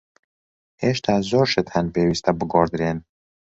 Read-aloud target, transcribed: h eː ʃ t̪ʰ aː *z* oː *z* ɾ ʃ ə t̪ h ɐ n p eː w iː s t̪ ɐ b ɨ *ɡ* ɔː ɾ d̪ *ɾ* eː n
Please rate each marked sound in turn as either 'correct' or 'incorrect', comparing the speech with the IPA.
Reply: correct, incorrect, correct, correct

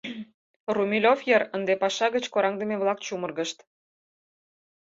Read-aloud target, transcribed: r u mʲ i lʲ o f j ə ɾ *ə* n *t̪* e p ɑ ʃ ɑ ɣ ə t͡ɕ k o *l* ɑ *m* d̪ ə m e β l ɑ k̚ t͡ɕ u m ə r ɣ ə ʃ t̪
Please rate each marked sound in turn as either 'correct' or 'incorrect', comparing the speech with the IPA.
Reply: correct, incorrect, incorrect, incorrect

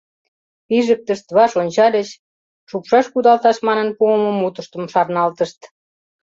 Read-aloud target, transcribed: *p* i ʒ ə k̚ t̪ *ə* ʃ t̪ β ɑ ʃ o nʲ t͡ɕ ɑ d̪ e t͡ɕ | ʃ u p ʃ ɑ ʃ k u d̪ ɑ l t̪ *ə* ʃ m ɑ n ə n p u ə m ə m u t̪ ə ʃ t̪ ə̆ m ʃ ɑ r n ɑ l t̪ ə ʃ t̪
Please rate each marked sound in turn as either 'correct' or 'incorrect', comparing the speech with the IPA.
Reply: correct, correct, incorrect

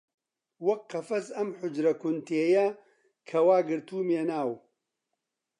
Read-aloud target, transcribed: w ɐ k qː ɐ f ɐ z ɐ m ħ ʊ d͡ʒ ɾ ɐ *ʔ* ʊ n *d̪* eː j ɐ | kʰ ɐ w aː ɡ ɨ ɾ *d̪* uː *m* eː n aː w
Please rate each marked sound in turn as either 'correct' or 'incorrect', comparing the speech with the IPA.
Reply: incorrect, incorrect, incorrect, correct

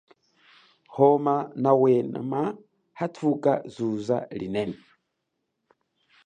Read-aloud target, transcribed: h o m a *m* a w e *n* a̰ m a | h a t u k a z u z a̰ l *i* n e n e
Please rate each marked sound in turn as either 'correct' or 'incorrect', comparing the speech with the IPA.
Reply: incorrect, correct, correct

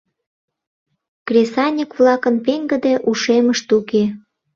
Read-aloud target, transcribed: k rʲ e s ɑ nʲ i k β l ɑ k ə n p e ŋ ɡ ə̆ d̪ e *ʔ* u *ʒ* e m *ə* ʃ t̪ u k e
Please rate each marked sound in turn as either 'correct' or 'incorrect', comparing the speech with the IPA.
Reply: correct, incorrect, correct

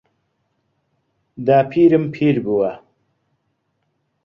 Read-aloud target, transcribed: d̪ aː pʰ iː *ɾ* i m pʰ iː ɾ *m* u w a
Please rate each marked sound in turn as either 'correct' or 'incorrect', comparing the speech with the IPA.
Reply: correct, incorrect

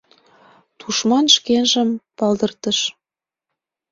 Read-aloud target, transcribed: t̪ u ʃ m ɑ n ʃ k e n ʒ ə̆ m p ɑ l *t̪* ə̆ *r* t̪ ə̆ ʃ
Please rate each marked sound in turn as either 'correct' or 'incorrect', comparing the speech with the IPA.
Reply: incorrect, correct

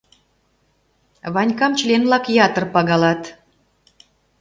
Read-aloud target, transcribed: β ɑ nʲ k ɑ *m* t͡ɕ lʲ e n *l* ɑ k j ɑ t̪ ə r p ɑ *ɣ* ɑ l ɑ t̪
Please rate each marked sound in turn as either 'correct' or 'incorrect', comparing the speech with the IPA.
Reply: correct, correct, correct

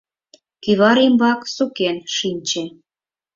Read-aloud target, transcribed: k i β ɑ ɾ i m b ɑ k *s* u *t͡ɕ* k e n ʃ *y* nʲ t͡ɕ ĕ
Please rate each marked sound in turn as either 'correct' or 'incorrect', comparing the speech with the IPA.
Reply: correct, incorrect, incorrect

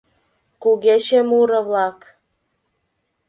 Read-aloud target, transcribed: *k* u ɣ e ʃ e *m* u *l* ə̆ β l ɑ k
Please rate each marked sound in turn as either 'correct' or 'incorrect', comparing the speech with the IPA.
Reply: correct, correct, incorrect

